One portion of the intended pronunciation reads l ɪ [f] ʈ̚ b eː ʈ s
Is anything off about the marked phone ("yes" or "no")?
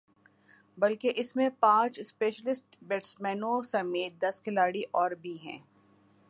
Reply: yes